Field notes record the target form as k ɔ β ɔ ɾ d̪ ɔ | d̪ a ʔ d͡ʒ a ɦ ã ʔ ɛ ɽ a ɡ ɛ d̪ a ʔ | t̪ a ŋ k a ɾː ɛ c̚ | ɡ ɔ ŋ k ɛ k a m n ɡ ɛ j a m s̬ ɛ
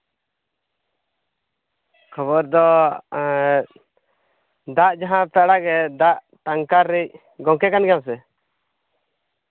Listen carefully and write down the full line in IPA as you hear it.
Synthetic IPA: kʰ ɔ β ɔ ɾ d̪ ɔ | d̪ a ʔ d͡ʒ a ɦ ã p ɛ ɽ a ɡ ɛ d̪ a ʔ | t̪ a ŋ k a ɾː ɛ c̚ | ɡ ɔ ŋ k ɛ k a n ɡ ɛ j a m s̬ ɛ